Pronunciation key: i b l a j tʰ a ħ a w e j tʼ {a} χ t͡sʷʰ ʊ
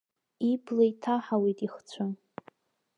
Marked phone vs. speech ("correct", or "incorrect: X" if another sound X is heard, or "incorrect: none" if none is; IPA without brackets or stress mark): incorrect: i